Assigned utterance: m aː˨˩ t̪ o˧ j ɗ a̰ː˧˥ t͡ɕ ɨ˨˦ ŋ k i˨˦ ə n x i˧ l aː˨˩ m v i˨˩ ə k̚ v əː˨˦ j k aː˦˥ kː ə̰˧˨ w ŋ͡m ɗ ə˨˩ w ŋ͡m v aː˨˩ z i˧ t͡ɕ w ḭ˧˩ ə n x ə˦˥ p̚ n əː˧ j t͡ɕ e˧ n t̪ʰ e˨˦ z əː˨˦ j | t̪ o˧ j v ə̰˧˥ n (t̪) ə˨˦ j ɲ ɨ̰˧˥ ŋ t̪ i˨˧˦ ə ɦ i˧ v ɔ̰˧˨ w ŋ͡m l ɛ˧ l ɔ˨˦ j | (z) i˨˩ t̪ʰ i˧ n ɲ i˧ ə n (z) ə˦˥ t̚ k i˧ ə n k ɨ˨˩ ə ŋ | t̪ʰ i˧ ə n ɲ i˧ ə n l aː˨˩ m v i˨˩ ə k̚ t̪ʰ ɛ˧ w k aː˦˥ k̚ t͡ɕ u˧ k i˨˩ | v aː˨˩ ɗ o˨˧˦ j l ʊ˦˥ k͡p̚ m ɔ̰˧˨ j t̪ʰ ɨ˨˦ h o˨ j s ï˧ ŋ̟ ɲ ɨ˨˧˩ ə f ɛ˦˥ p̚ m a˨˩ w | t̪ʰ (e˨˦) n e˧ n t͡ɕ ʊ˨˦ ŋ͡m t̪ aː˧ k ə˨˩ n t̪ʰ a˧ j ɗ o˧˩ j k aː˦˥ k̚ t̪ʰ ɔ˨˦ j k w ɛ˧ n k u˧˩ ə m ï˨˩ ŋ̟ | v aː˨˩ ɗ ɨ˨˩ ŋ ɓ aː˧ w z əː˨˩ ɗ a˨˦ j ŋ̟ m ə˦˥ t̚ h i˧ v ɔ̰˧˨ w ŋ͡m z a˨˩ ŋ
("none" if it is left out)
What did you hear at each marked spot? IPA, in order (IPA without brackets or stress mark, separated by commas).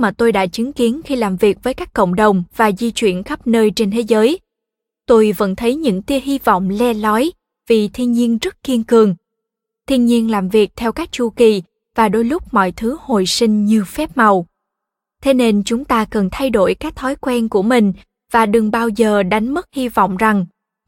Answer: t̪ʰ, v, z, e˨˦